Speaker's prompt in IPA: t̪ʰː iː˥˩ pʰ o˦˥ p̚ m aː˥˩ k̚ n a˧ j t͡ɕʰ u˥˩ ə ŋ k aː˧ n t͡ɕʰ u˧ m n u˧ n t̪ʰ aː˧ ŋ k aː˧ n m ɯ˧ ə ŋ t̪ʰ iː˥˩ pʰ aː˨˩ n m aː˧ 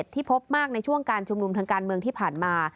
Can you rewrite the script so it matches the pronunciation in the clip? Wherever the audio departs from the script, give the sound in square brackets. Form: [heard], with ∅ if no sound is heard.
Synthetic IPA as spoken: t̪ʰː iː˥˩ pʰ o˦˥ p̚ m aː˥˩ k̚ n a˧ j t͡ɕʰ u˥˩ ə ŋ k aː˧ n t͡ɕʰ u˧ m n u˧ [m] t̪ʰ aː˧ ŋ k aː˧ n m ɯ˧ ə ŋ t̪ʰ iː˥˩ pʰ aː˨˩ n m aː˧